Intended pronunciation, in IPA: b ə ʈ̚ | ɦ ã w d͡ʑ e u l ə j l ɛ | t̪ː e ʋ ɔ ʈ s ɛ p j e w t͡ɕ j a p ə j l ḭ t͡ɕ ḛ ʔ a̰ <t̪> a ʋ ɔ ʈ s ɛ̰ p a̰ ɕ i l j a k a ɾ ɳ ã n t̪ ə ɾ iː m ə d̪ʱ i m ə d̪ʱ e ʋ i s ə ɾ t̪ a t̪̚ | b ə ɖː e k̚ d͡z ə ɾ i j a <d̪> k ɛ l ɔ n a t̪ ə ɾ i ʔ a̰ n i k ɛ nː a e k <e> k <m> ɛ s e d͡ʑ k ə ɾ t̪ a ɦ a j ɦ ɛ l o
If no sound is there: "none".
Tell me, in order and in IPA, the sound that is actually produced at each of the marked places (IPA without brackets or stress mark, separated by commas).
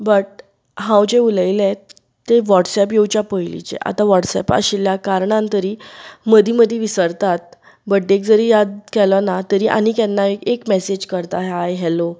t̪, d̪, e, m